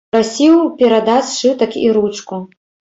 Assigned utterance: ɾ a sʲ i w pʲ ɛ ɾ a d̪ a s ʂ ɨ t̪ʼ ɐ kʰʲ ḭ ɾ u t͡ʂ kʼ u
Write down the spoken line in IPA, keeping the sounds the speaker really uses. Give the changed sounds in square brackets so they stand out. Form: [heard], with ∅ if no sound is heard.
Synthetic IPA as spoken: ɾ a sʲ i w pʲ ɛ ɾ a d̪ a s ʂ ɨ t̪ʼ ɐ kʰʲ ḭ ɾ u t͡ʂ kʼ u